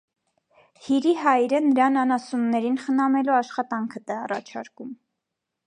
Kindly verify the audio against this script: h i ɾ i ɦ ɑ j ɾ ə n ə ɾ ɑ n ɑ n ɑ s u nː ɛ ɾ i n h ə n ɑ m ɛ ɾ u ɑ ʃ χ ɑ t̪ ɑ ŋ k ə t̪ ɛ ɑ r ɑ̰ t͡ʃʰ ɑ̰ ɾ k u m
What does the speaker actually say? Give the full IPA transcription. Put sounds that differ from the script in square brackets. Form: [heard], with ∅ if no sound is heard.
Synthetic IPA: h i ɾ i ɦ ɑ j ɾ ə n ə ɾ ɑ n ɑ n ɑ s u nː ɛ ɾ i n [χ] ə n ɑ m ɛ [l] u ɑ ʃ χ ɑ t̪ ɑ ŋ [kʰ] ə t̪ ɛ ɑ r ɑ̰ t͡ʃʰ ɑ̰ ɾ k u m

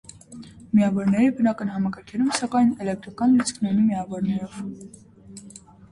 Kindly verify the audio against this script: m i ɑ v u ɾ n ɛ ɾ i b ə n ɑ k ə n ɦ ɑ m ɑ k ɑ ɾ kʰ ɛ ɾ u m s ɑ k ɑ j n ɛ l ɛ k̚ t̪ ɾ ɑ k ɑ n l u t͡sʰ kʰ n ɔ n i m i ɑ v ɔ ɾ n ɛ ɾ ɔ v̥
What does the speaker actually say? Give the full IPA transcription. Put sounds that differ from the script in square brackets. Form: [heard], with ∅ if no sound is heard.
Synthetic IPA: m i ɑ v [ɔ] ɾ n ɛ ɾ i b ə n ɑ k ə n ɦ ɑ m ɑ k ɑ ɾ kʰ ɛ ɾ u m s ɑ k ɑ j n ɛ l ɛ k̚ t̪ ɾ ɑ k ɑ n l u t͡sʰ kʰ n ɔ n i m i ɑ v ɔ ɾ n ɛ ɾ ɔ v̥

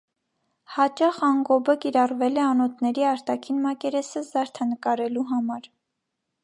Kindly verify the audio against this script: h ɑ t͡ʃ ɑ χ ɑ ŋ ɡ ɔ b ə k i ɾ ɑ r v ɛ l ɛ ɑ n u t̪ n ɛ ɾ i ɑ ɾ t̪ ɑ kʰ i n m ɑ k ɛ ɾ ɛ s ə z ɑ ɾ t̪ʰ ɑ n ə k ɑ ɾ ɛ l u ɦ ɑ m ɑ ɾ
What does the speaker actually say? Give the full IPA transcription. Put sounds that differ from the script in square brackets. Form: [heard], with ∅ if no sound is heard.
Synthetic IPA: h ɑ t͡ʃ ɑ χ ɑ ŋ ɡ ɔ b ə k i ɾ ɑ r v ɛ l ɛ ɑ n [ɔ] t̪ n ɛ ɾ i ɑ ɾ t̪ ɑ kʰ i n m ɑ k ɛ ɾ ɛ s ə z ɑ ɾ t̪ʰ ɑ n ə k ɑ ɾ ɛ l u ɦ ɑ m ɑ ɾ

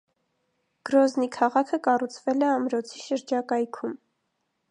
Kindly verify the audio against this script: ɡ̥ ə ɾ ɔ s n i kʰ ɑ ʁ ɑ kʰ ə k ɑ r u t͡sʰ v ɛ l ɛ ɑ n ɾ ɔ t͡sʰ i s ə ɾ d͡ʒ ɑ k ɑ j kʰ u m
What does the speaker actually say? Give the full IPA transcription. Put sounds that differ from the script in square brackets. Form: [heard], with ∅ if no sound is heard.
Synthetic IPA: ɡ̥ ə ɾ ɔ [z] n i kʰ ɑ ʁ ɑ kʰ ə k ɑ r u t͡sʰ v ɛ l ɛ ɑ [m] ɾ ɔ t͡sʰ i [ʃ] ə ɾ d͡ʒ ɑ k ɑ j kʰ u m

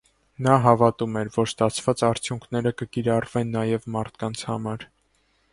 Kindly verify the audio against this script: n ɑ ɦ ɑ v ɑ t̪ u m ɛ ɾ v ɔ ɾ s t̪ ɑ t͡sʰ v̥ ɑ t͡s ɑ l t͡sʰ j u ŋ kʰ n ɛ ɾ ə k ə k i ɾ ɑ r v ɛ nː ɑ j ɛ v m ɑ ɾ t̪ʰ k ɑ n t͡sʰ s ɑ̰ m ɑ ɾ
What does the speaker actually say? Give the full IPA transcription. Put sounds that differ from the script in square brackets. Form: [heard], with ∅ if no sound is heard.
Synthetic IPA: n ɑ ɦ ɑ v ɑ t̪ u m ɛ ɾ v ɔ ɾ s t̪ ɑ t͡sʰ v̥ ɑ t͡s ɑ [ɾ] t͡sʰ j u ŋ kʰ n ɛ ɾ ə k ə k i ɾ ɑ r v ɛ nː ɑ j ɛ v m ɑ ɾ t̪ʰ k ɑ n t͡sʰ [h] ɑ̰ m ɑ ɾ

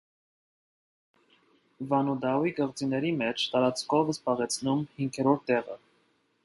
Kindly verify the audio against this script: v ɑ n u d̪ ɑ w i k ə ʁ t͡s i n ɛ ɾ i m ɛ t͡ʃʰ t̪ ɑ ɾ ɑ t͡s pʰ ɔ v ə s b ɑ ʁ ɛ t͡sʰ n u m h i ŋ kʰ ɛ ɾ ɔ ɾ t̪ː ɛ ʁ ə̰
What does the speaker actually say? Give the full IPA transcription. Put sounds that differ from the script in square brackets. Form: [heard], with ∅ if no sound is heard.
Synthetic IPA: v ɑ n u d̪ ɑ w i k ə ʁ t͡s i n ɛ ɾ i m ɛ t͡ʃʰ t̪ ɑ ɾ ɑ t͡s [kʰ] ɔ v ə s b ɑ ʁ ɛ t͡sʰ n u m h i ŋ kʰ ɛ ɾ ɔ ɾ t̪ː ɛ ʁ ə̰

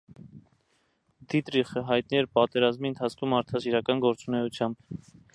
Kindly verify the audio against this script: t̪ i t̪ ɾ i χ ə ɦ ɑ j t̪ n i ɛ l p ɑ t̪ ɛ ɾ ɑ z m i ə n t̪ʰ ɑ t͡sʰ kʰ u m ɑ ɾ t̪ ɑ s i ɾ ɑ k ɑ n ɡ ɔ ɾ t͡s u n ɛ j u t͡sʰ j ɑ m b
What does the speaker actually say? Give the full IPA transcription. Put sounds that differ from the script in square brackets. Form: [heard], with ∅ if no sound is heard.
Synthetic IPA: [d̪] i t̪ ɾ i χ ə ɦ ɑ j t̪ n i ɛ [ɾ] p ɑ t̪ ɛ ɾ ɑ z m i ə n t̪ʰ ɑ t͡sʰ kʰ u m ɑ ɾ [t̪ʰ] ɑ s i ɾ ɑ k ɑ n ɡ ɔ ɾ t͡s u n ɛ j u t͡sʰ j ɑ m b

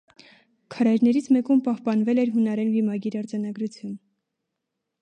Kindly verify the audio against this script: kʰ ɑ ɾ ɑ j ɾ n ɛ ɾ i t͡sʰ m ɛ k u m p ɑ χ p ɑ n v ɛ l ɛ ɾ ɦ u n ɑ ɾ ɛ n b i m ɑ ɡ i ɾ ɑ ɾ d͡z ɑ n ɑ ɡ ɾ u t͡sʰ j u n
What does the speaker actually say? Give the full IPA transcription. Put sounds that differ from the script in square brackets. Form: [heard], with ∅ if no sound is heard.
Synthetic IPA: kʰ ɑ ɾ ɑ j ɾ n ɛ ɾ i t͡sʰ m ɛ k u m p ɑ [h] p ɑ n v ɛ l ɛ ɾ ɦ u n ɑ ɾ ɛ n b i m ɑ ɡ i ɾ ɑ ɾ d͡z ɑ n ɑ ɡ ɾ u t͡sʰ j u n

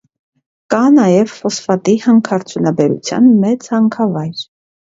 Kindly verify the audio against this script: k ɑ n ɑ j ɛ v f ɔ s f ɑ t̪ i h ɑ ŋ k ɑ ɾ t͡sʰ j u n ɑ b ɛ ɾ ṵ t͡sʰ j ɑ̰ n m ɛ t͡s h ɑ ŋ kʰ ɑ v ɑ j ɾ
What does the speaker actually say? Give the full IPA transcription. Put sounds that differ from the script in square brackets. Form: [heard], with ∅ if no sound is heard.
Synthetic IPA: k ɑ n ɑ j ɛ v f ɔ s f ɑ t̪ i h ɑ ŋ [kʰ] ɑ ɾ t͡sʰ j u n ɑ b ɛ ɾ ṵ t͡sʰ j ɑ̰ n m ɛ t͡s h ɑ ŋ kʰ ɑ v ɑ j ɾ

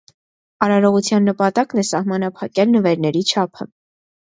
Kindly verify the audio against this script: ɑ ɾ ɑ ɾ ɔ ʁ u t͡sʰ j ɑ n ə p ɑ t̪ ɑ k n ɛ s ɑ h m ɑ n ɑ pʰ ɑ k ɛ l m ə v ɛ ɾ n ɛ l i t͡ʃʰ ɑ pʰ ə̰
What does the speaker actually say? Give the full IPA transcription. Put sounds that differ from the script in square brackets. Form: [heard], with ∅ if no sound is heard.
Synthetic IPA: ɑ ɾ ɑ ɾ ɔ ʁ u t͡sʰ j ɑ [nː] ə p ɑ t̪ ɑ k n ɛ s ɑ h m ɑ n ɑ pʰ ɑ k ɛ l [n] ə v ɛ ɾ n ɛ [ɾ] i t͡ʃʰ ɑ pʰ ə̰

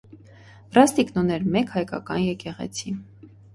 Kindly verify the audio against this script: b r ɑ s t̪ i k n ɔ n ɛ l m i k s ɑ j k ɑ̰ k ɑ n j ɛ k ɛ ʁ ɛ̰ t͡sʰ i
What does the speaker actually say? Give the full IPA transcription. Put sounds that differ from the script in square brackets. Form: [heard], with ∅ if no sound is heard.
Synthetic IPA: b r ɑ s t̪ i k n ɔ n ɛ [ɾ] m [ɛ] k [h] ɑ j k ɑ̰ k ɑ n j ɛ k ɛ ʁ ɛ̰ t͡sʰ i

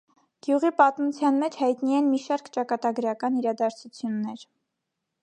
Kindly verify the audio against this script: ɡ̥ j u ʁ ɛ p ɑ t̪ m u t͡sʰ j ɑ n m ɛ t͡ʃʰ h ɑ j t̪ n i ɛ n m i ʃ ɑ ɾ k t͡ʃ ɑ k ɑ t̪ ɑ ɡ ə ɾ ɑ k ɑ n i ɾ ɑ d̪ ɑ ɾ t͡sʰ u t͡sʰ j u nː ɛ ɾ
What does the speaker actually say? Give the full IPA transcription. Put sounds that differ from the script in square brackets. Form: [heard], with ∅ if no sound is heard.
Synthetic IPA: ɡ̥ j u ʁ [i] p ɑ t̪ m u t͡sʰ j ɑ n m ɛ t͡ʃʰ h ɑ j t̪ n i ɛ n m i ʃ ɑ ɾ k t͡ʃ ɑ k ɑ t̪ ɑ ɡ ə ɾ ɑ k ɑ n i ɾ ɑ d̪ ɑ ɾ t͡sʰ u t͡sʰ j u nː ɛ ɾ

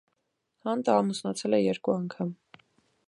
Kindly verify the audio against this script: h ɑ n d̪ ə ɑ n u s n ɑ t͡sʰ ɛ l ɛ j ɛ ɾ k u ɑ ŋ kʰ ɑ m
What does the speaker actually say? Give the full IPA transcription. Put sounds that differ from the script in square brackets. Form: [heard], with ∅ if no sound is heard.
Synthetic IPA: h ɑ n d̪ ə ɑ [m] u s n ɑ t͡sʰ ɛ l ɛ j ɛ ɾ k u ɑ ŋ kʰ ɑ m

